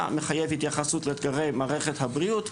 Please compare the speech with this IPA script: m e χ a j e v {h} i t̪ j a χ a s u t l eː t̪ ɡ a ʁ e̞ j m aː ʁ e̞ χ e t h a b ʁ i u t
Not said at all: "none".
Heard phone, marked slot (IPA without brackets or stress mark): h